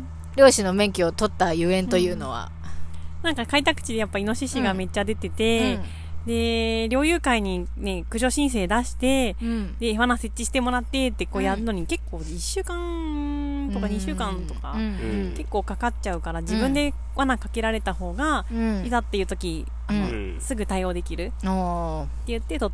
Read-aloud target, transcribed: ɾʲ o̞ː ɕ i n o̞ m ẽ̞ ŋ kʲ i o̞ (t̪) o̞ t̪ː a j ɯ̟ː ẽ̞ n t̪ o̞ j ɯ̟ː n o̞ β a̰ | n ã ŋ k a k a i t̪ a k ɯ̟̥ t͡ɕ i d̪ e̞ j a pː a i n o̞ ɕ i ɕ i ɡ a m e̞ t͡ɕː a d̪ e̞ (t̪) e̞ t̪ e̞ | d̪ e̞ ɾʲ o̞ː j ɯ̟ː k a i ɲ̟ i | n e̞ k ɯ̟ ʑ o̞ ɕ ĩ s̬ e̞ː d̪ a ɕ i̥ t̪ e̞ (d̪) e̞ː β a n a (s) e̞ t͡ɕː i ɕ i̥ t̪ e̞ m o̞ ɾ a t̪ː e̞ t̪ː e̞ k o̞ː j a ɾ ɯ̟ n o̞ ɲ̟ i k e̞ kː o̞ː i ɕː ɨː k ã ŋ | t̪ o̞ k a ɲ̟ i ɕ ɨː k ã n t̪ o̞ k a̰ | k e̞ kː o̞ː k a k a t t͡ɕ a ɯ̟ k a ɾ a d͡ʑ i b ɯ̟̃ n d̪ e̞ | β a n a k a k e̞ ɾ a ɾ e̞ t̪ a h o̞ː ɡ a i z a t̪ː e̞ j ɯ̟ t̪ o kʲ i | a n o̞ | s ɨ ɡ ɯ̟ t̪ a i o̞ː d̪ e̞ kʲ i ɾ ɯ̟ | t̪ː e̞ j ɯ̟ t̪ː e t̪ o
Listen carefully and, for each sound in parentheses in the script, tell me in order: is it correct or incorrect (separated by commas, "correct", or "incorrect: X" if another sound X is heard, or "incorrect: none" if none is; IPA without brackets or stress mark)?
correct, correct, correct, correct